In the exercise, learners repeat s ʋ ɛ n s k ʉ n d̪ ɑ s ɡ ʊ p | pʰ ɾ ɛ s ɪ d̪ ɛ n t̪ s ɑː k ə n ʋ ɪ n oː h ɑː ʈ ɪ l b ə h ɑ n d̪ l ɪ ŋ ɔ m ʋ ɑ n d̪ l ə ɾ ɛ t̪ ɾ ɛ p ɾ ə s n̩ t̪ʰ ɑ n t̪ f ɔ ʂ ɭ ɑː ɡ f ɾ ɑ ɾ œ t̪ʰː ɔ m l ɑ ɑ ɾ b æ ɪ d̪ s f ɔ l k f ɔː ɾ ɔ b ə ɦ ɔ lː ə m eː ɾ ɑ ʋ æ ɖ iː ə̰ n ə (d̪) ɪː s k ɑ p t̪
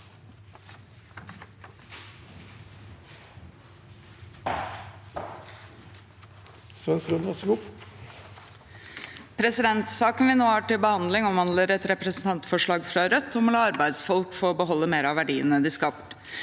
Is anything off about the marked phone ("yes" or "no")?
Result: no